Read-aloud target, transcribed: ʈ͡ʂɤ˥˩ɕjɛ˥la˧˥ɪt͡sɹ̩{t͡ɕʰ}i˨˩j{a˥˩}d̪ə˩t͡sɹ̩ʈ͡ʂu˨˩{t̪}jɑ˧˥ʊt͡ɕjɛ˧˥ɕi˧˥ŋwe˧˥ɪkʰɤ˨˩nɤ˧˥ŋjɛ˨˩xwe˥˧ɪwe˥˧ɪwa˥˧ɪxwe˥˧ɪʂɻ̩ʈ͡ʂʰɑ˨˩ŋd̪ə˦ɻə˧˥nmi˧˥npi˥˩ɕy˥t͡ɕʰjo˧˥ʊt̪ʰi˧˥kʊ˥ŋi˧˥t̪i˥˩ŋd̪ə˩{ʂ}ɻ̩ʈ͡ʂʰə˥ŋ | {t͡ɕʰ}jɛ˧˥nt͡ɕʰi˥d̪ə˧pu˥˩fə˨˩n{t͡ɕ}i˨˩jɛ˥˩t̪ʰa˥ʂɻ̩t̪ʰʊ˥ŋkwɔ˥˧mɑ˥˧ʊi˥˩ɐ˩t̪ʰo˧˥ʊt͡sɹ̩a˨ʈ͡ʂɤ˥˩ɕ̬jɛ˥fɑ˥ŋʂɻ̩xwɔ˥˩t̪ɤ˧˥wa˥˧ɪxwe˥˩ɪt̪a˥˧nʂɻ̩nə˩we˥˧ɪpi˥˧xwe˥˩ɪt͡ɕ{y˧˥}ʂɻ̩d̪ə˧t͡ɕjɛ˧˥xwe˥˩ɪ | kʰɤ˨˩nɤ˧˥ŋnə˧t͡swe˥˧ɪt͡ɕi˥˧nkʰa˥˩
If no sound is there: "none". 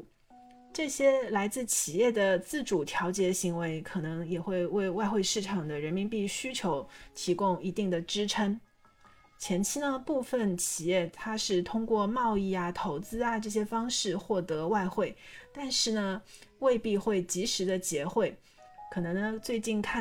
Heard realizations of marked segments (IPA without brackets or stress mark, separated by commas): t͡ɕʰ, ɛ˥˩, t̪ʰ, ʈ͡ʂ, t͡ɕʰ, t͡ɕʰ, i˧˥